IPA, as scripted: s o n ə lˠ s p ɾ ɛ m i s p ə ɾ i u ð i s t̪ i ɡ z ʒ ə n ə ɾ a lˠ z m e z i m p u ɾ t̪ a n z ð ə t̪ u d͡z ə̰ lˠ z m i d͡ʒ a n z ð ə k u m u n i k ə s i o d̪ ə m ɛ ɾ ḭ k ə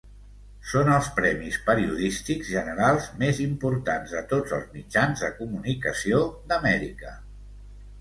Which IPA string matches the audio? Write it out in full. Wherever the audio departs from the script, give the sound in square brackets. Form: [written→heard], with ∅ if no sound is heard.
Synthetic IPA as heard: s o n ə lˠ s p ɾ ɛ m i s p ə ɾ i u ð i s t̪ i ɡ z ʒ ə n ə ɾ a lˠ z m e z i m p u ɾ t̪ a n z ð ə t̪ [u→o] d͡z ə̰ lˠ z m i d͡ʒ a n z ð ə k u m u n i k ə s i o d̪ ə m ɛ ɾ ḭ k ə